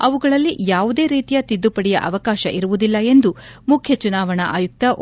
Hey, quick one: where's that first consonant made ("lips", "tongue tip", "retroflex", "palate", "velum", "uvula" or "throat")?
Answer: lips